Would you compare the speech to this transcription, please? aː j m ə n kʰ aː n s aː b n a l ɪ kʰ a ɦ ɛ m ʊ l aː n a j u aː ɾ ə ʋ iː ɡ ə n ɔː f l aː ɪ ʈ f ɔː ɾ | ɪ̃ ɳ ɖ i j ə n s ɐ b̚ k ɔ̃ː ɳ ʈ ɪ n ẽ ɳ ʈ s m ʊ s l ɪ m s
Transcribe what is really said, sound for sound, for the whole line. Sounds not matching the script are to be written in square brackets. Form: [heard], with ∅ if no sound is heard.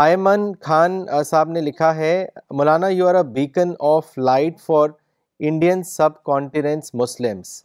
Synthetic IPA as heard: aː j m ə n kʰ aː n s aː b n [e] l ɪ kʰ a ɦ ɛ m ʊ l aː n a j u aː ɾ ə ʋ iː [k] ə n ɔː f l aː ɪ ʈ f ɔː ɾ | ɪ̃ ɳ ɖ i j ə n s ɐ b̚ k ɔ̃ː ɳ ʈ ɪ n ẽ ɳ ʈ s m ʊ s l ɪ m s